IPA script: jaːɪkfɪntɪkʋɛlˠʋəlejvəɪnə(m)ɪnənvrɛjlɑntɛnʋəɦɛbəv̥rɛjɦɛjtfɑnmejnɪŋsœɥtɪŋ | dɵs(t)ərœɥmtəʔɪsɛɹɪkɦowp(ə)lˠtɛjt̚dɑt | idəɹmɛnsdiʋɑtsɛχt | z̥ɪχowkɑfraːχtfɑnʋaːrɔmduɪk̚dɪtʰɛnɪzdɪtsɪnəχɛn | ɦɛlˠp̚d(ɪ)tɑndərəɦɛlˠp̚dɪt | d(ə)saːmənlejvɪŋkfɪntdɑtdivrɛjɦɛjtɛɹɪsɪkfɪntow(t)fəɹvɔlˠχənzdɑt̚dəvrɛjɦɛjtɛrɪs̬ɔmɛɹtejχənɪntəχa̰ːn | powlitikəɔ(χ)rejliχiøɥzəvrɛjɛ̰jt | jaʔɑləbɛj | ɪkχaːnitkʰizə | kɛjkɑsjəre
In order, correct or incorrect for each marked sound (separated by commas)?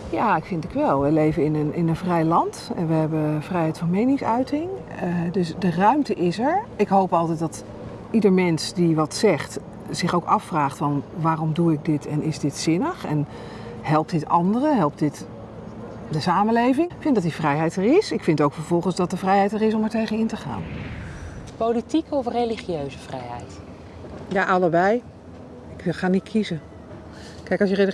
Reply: incorrect, incorrect, incorrect, correct, correct, incorrect, incorrect